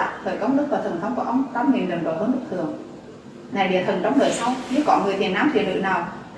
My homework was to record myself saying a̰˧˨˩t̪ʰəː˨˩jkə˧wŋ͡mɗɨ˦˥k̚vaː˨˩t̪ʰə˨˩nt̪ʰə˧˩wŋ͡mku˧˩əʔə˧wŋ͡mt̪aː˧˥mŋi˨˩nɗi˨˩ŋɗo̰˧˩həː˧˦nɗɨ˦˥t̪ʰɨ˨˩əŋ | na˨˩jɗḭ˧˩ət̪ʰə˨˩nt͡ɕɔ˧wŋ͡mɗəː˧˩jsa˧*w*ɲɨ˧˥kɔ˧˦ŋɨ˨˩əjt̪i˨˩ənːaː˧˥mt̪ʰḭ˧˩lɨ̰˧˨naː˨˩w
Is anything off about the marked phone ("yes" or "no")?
no